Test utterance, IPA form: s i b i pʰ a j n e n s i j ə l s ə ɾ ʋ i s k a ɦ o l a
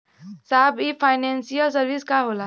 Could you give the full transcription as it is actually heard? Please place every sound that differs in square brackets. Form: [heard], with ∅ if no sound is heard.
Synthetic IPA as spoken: s [a] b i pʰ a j n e n s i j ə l s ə ɾ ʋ i s k a ɦ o l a